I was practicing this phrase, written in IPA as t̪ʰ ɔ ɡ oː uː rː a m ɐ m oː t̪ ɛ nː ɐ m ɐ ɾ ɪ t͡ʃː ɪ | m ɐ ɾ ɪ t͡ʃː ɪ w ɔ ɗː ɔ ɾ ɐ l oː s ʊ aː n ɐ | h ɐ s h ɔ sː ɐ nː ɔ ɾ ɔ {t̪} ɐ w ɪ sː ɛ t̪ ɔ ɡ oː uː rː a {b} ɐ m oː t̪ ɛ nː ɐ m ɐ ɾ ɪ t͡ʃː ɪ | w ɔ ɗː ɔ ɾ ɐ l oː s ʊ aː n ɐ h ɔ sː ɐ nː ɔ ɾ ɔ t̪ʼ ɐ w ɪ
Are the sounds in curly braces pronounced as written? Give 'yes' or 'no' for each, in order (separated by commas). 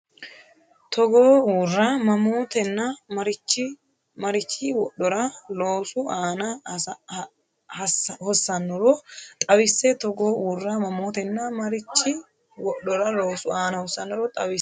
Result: no, no